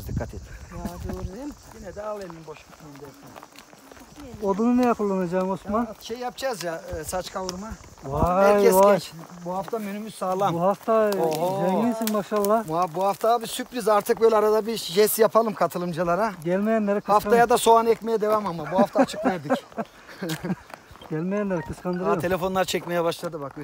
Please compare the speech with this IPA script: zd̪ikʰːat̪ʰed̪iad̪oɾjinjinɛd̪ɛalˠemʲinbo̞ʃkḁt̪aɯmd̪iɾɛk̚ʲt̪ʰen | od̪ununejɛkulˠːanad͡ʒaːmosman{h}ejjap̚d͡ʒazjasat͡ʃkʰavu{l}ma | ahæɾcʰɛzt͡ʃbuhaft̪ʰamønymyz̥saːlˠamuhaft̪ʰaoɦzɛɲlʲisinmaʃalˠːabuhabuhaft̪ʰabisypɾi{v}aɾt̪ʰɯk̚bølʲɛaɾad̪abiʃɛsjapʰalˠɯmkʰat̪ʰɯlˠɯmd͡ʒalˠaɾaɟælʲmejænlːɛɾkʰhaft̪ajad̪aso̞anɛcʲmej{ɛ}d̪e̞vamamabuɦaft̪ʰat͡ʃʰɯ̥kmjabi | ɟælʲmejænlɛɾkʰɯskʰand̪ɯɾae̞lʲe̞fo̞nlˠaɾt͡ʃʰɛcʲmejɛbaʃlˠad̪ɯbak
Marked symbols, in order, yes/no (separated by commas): no, no, no, yes